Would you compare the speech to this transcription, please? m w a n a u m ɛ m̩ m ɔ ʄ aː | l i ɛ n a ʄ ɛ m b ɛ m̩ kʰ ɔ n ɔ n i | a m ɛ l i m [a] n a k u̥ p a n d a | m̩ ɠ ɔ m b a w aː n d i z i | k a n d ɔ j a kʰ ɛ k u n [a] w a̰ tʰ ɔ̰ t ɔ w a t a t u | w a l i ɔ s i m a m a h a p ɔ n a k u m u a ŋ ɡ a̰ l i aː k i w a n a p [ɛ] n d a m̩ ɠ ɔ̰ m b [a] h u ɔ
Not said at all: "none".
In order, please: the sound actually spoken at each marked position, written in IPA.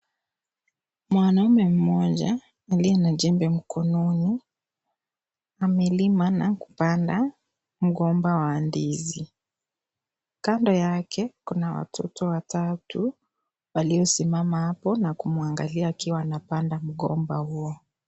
a, a, a, a

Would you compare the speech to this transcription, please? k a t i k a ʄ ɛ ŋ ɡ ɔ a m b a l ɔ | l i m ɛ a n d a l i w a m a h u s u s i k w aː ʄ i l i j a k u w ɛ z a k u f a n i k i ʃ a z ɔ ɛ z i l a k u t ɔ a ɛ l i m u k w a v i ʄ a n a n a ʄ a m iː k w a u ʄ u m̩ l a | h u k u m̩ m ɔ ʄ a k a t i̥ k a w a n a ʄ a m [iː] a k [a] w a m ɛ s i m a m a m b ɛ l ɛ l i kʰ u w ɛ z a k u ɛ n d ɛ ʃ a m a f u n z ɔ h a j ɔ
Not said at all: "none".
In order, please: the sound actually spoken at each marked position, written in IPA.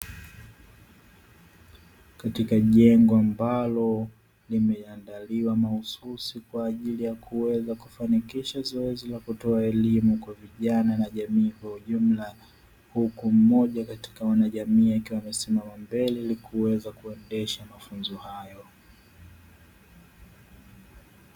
iː, i

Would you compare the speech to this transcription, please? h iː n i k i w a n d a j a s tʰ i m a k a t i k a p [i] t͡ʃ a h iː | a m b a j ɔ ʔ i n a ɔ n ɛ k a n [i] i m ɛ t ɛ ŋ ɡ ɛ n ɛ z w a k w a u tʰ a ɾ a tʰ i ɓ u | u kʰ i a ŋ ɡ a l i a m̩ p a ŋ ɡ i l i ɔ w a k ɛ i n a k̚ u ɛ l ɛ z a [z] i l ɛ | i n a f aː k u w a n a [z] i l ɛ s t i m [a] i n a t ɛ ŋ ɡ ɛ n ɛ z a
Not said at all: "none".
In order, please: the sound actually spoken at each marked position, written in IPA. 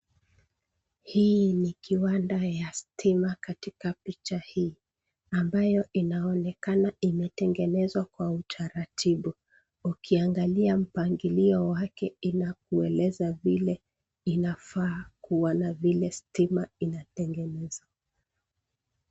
i, a, v, v, a

